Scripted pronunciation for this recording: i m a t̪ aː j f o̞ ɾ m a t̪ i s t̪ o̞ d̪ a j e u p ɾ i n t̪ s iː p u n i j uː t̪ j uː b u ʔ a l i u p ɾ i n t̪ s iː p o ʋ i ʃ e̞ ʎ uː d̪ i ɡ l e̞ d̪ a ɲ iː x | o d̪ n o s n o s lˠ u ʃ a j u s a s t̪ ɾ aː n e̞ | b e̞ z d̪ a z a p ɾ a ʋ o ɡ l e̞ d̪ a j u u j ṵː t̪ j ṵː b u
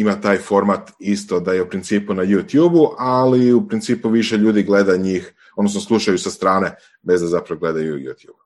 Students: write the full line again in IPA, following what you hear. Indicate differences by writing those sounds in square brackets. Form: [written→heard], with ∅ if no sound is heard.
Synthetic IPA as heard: i m a t̪ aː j f o̞ ɾ m a t̪ i s t̪ o̞ d̪ a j e u p ɾ i n t̪ s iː p u n [i→a] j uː t̪ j uː b u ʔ a l i u p ɾ i n t̪ s iː p [o→u] ʋ i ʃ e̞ ʎ uː d̪ i ɡ l e̞ d̪ a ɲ iː x | o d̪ n o s n o s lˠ u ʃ a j u s a s t̪ ɾ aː n e̞ | b e̞ z d̪ a z a p ɾ a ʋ o ɡ l e̞ d̪ a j u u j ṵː t̪ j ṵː b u